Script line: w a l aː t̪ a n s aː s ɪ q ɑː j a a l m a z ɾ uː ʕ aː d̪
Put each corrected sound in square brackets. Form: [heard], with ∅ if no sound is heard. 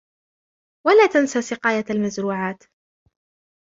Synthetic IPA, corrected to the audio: w a l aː t̪ a n s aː s ɪ q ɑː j a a l m a z ɾ uː ʕ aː [t̪]